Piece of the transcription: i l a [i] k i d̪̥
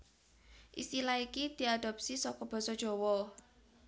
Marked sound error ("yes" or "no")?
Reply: no